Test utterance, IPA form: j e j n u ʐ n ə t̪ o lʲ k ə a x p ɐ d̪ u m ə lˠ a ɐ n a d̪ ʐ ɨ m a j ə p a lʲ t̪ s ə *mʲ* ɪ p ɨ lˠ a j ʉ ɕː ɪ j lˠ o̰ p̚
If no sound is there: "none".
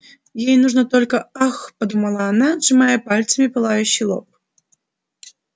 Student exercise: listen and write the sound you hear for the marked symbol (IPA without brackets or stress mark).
mʲ